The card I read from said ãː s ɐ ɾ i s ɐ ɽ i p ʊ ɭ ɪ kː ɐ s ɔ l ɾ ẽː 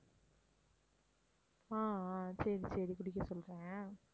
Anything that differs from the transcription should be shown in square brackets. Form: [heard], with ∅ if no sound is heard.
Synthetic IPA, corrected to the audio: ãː s ɐ ɾ i s ɐ [ɾ] i [k] ʊ [ɽ] ɪ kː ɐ s ɔ l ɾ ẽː